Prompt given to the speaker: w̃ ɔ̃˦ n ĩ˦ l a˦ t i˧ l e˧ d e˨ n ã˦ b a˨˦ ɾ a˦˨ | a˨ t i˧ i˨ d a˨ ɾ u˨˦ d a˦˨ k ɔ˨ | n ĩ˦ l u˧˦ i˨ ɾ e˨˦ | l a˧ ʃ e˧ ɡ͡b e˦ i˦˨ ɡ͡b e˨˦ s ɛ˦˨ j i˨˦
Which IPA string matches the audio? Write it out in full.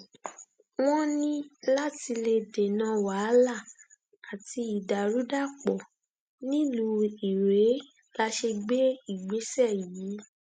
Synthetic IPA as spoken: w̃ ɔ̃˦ n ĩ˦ l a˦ t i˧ l e˧ d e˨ n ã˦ w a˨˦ l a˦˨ | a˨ t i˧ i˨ d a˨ ɾ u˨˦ d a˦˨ k͡p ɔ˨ | n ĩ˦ l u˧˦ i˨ ɾ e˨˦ | l a˧ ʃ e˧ ɡ͡b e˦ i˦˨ ɡ͡b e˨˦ s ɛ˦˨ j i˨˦